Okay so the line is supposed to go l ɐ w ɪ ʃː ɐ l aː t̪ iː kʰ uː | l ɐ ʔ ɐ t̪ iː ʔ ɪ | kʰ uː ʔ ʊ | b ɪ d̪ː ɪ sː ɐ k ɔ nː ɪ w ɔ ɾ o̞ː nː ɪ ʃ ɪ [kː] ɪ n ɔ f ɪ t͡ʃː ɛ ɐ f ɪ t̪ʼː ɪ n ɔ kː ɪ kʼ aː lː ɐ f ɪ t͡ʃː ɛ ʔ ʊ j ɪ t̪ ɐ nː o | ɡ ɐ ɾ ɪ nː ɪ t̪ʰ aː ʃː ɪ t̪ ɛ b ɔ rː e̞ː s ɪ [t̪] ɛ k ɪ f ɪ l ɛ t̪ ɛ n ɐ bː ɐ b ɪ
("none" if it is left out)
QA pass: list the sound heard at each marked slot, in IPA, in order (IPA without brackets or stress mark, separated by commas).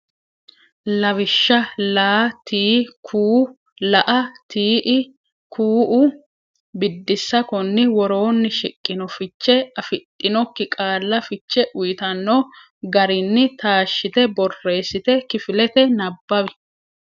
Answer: kʼː, t̪